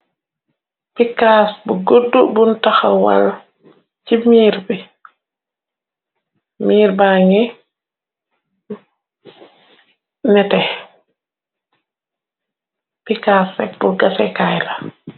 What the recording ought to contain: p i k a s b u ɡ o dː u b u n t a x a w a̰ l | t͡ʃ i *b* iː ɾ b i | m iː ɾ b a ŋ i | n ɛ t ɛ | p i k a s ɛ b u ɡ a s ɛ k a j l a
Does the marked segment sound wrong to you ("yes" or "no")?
yes